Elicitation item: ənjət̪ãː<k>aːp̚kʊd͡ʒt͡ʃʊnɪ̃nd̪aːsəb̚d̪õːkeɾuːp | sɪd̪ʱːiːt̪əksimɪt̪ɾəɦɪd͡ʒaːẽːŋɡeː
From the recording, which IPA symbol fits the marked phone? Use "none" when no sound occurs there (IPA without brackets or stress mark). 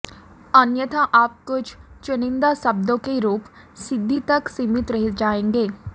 ʔ